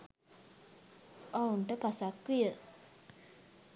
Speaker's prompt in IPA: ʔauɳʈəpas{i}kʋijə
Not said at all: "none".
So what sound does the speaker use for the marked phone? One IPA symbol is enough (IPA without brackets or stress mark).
a